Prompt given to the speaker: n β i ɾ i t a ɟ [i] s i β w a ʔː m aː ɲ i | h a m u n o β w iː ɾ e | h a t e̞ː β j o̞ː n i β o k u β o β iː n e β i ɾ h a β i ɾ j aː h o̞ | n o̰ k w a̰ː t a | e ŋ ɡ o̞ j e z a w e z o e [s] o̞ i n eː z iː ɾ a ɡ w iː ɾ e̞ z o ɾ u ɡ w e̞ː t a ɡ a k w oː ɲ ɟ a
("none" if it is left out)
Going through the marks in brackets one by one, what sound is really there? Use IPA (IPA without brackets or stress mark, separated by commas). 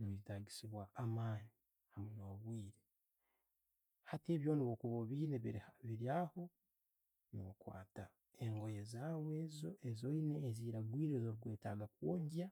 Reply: i, z